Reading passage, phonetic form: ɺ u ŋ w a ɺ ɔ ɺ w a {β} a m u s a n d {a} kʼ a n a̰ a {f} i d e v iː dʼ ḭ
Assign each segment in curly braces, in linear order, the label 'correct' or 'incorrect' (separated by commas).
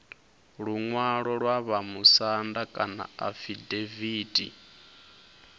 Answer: correct, correct, correct